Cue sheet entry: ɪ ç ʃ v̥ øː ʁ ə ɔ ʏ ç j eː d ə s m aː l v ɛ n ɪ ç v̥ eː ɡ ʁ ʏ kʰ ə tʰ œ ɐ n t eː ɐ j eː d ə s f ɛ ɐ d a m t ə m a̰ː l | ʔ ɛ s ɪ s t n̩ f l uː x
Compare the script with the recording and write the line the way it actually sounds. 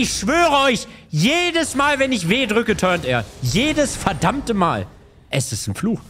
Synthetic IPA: ɪ ç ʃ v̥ øː ʁ ə ɔ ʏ ç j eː d ə s m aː l v ɛ n ɪ ç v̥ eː d ʁ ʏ k ə tʰ œ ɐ n t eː ɐ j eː d ə s f ɛ ɐ d a m t ə m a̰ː l | ʔ ɛ s ɪ s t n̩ f l uː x